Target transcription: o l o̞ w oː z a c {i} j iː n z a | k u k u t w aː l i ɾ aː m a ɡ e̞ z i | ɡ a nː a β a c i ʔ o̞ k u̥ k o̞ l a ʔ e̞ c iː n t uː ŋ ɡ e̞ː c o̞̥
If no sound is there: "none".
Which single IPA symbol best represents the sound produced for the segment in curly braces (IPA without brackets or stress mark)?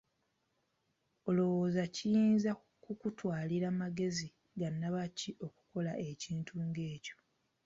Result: i